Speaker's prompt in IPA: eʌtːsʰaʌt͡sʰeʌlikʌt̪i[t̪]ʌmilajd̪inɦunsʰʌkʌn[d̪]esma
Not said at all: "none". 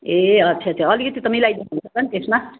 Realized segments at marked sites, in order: t̪, t̪

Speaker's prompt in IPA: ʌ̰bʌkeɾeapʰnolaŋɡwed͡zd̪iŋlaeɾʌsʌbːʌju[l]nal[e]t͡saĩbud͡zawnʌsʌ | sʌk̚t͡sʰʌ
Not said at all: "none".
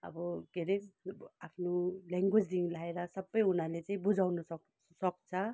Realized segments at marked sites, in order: none, e

